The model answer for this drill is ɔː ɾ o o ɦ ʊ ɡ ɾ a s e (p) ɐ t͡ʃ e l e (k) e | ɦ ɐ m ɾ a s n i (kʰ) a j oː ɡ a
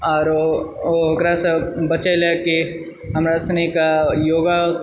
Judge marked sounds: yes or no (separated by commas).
no, yes, no